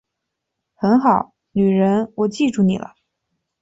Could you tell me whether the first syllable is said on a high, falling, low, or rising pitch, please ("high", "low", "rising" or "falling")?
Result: rising